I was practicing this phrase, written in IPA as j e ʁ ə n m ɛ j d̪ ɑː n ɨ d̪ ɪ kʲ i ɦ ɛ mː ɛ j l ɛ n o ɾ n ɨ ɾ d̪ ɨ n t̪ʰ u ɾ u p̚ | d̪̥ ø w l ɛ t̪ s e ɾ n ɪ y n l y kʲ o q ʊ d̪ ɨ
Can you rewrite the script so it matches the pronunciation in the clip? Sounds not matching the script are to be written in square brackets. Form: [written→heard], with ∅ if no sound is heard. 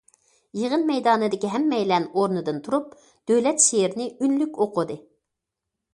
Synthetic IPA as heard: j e ʁ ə n m ɛ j d̪ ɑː n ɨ d̪ ɪ kʲ i ɦ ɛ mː ɛ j l ɛ n o ɾ n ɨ [ɾ→∅] d̪ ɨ n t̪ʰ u ɾ u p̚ | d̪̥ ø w l ɛ t̪ [s→ʃ] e ɾ n ɪ y n l y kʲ o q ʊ d̪ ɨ

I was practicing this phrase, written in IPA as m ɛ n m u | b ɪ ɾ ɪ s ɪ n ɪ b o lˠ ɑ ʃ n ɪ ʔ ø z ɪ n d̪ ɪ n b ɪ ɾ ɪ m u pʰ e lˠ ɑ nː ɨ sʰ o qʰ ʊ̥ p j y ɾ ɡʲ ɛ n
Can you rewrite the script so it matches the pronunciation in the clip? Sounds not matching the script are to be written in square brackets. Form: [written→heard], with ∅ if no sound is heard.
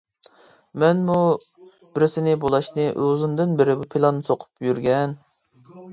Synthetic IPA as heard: m ɛ n m u | b ɪ ɾ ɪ s ɪ n ɪ b o lˠ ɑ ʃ n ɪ ʔ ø z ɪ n d̪ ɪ n b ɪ ɾ ɪ [m→b] u pʰ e lˠ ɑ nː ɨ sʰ o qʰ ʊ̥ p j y ɾ ɡʲ ɛ n

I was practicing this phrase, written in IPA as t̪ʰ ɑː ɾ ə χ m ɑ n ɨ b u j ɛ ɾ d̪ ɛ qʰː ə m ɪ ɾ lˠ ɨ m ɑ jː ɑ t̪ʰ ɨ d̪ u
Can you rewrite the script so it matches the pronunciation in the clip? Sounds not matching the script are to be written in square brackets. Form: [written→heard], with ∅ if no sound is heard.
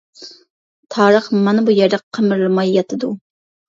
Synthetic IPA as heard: t̪ʰ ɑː ɾ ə χ m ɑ n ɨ b u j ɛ ɾ d̪ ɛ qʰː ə m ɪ ɾ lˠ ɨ m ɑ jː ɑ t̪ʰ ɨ d̪ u

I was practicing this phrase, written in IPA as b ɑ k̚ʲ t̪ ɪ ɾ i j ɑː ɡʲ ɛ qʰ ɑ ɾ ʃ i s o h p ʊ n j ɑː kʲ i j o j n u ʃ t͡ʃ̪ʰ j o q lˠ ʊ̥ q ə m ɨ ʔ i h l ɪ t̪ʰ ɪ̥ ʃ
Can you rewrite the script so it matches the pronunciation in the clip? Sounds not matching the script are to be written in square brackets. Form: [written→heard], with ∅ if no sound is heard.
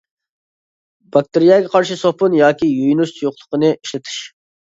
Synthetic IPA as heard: b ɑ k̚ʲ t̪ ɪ ɾ i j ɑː ɡʲ ɛ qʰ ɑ ɾ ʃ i s o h p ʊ n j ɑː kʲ i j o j n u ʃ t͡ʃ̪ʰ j o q lˠ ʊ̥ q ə [m→n] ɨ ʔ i [h→ʃ] l ɪ t̪ʰ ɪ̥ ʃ

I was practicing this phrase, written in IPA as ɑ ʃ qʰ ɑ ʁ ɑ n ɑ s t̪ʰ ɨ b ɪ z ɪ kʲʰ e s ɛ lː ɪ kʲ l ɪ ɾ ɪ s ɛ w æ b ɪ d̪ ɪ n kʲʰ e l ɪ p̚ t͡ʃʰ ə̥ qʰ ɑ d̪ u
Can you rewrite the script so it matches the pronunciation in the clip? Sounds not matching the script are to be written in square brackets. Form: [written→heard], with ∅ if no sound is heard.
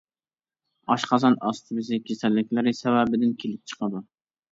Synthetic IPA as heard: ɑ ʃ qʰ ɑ [ʁ→z] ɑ n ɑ s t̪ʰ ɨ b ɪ z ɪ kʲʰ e s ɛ lː ɪ kʲ l ɪ ɾ ɪ s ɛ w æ b ɪ d̪ ɪ n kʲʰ e l ɪ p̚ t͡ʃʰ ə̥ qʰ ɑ d̪ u

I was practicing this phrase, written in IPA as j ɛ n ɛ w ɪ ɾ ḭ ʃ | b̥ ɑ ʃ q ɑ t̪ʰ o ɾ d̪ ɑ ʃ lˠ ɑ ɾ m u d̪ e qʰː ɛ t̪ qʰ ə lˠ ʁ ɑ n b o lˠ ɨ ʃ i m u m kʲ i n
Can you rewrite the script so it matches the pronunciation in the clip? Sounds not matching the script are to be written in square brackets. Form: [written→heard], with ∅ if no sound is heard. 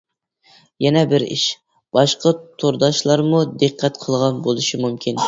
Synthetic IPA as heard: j ɛ n ɛ [w→b] ɪ ɾ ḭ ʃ | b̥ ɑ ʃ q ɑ t̪ʰ o ɾ d̪ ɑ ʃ lˠ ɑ ɾ m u d̪ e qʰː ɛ t̪ qʰ ə lˠ ʁ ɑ n b o lˠ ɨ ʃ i m u m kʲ i n

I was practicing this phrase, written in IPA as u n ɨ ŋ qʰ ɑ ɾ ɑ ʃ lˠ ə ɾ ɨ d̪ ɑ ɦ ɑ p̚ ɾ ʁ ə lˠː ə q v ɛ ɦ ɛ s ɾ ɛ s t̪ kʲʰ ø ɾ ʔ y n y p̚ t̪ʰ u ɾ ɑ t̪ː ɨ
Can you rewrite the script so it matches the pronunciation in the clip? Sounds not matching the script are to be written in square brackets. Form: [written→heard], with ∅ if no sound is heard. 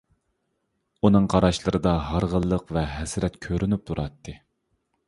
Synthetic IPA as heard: u n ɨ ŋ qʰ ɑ ɾ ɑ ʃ lˠ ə ɾ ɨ d̪ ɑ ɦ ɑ [p̚→∅] ɾ ʁ ə lˠː ə q v ɛ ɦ ɛ s ɾ ɛ [s→∅] t̪ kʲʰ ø ɾ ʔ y n y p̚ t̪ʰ u ɾ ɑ t̪ː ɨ

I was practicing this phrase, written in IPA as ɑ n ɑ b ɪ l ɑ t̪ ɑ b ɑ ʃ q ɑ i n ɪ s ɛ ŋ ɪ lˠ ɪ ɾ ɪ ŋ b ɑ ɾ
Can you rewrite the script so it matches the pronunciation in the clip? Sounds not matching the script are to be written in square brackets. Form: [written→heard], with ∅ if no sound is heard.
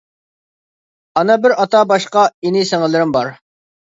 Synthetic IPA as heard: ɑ n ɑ b ɪ [l→ɾ] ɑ t̪ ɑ b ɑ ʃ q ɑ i n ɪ s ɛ ŋ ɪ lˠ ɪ ɾ ɪ [ŋ→m] b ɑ ɾ

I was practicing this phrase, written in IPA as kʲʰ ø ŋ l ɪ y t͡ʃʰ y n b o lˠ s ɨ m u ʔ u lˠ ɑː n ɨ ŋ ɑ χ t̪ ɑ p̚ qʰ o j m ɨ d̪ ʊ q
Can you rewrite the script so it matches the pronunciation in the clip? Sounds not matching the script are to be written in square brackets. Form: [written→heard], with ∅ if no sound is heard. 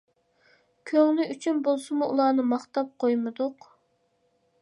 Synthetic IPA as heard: kʲʰ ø ŋ l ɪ y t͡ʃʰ y n b o lˠ s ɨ m u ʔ u lˠ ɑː n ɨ [ŋ→m] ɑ χ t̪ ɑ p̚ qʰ o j m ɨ d̪ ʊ q

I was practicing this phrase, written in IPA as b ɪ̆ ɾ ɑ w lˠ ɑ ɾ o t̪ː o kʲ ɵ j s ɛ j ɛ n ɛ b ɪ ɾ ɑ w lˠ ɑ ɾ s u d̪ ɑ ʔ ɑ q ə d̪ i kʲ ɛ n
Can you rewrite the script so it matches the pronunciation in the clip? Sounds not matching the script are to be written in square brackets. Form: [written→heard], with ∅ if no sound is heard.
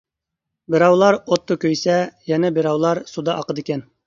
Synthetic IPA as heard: b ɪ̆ ɾ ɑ w lˠ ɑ ɾ o t̪ː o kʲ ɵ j s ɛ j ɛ n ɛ b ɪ ɾ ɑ w lˠ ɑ ɾ s u d̪ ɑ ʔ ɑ q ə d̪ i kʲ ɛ n

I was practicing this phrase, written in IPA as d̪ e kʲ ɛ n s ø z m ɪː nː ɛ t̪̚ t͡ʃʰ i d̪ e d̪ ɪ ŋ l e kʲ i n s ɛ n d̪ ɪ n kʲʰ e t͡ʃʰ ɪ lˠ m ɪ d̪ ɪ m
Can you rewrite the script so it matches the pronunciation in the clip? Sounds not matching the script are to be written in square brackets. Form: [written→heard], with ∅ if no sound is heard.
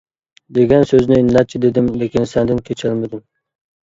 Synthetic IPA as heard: d̪ e [kʲ→ɡʲ] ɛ n s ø z [m→n] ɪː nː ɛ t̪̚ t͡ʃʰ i d̪ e d̪ ɪ [ŋ→m] l e kʲ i n s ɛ n d̪ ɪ n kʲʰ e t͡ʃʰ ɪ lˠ m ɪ d̪ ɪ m

